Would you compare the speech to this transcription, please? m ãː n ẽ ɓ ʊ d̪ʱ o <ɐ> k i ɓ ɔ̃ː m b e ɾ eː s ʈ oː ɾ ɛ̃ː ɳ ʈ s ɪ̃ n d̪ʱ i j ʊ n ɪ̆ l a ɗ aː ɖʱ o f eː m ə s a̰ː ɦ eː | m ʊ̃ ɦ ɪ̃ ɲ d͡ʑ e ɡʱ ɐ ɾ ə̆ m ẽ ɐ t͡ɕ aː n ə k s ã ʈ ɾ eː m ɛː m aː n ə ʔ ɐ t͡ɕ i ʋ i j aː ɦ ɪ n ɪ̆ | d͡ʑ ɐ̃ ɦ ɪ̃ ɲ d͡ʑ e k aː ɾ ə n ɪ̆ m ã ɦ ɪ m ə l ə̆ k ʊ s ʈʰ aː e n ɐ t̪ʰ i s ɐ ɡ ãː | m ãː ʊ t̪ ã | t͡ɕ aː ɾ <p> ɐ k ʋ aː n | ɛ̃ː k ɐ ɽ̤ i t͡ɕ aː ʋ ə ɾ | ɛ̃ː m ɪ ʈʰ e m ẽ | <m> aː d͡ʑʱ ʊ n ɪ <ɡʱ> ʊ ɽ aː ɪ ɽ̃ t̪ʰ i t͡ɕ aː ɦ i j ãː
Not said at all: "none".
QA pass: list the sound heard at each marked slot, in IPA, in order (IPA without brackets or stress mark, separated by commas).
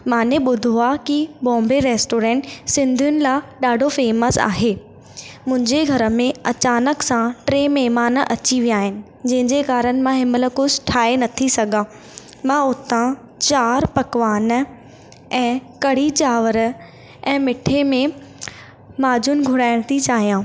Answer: a, p, m, ɡʱ